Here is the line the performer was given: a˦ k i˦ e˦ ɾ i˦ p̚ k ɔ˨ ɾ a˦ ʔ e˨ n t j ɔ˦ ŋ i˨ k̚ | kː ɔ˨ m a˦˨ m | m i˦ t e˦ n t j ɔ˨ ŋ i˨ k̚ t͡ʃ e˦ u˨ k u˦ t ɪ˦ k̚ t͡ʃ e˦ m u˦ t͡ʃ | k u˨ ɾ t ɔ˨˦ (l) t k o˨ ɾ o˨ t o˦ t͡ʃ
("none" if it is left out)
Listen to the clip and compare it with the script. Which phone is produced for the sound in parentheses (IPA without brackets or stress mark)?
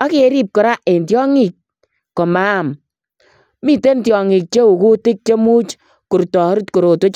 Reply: ɾ